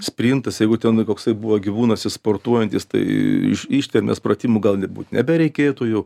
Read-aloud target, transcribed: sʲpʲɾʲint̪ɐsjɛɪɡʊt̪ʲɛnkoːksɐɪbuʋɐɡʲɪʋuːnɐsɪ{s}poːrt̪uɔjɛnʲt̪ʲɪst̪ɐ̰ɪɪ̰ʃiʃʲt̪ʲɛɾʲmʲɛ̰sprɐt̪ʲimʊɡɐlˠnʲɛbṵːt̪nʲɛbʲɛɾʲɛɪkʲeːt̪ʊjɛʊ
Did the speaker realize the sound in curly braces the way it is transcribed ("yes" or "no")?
yes